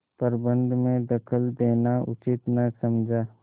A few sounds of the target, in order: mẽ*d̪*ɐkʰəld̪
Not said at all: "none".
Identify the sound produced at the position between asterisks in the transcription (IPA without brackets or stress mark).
d̪